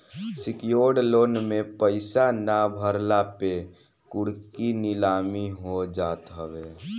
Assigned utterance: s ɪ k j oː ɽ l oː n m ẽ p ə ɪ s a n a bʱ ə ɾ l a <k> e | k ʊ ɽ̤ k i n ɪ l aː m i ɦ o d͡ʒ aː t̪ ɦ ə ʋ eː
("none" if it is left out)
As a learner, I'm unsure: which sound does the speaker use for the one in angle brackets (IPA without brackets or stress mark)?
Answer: p